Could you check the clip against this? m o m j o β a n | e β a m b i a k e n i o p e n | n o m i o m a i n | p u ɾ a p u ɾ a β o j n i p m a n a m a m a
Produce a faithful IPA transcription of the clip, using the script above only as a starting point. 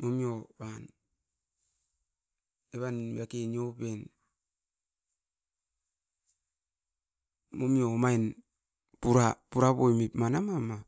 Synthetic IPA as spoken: m o m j o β a n | e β a n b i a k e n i o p e n | m o m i o m a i n | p u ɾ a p u ɾ a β o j m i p m a n a m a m a